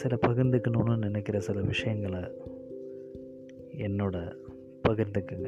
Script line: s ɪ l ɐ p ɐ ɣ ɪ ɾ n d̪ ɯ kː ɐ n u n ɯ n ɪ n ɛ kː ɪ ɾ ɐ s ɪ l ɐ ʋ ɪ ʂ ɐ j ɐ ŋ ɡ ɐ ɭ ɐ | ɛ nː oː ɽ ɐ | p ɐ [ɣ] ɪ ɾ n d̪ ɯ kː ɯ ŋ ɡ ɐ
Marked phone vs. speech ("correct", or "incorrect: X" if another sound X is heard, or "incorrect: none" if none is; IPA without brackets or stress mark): correct